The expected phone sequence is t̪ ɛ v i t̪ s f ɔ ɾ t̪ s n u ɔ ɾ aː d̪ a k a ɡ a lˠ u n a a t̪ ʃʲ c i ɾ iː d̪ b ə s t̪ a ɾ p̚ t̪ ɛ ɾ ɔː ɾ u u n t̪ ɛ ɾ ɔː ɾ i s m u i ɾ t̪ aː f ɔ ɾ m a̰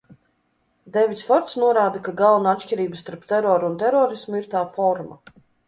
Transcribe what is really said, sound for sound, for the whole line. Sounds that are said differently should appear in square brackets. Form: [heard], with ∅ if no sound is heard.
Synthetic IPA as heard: [d̪] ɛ v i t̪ s f ɔ ɾ t̪ s n u ɔ ɾ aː d̪ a k a ɡ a lˠ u n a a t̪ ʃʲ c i ɾ iː [∅] b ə s t̪ a ɾ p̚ t̪ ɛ ɾ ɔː ɾ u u n t̪ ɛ ɾ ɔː ɾ i s m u i ɾ t̪ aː f ɔ ɾ m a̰